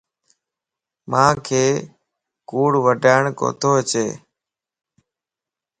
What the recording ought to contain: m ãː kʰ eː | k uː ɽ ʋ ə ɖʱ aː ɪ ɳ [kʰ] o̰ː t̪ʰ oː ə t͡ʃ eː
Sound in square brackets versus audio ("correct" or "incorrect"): incorrect